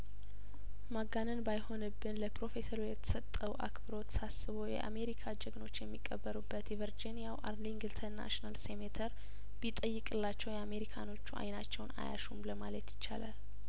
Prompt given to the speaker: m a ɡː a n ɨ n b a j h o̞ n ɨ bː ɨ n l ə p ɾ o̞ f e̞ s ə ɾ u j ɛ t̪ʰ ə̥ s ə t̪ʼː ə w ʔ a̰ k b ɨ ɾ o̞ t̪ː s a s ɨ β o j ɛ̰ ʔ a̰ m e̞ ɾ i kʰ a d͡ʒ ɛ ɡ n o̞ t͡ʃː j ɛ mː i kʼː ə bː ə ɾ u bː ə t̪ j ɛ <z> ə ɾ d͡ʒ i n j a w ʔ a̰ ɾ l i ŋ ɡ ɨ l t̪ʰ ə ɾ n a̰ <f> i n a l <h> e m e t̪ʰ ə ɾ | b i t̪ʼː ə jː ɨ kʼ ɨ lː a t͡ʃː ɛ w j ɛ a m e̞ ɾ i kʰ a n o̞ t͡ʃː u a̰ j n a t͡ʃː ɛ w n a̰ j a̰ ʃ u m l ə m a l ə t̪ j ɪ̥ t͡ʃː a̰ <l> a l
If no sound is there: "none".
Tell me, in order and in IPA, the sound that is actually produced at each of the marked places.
v, ʃ, s, l

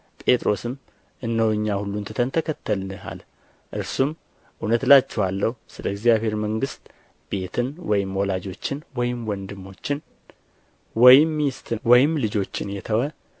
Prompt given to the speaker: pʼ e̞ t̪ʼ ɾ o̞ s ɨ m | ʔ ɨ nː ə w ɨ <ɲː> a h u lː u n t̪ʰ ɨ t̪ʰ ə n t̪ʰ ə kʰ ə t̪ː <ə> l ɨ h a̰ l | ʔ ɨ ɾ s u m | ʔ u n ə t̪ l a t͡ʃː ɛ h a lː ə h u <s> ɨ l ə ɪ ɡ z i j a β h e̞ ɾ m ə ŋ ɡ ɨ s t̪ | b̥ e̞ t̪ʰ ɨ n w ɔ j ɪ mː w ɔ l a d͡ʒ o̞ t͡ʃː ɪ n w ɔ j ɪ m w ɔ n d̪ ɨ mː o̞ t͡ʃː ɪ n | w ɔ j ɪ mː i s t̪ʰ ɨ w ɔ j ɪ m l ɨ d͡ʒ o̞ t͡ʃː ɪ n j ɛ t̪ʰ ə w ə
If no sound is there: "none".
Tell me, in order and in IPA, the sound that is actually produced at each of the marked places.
ɲː, ə, s

